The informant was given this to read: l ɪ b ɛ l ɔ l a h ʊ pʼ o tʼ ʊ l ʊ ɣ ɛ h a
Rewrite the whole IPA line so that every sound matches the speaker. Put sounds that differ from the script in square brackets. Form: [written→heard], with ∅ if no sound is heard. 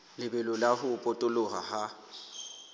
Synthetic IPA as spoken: l ɪ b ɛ l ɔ l a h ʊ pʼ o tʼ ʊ l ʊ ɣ [ɛ→a] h a